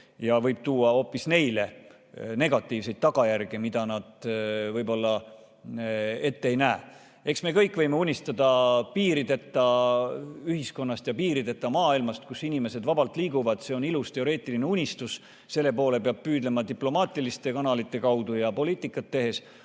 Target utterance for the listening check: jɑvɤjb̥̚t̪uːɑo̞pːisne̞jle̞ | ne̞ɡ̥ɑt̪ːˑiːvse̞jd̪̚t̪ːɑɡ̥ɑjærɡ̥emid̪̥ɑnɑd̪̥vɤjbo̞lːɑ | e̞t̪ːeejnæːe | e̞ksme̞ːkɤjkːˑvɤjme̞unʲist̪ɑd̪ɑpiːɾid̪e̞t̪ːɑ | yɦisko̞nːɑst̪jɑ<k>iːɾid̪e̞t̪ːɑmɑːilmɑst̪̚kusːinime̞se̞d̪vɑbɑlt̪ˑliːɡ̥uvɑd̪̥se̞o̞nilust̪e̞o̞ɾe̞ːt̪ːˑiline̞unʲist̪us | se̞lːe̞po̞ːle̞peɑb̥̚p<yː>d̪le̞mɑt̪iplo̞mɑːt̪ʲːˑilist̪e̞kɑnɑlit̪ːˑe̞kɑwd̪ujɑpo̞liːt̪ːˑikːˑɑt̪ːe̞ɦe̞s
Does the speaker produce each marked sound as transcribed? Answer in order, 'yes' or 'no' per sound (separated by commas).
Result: no, yes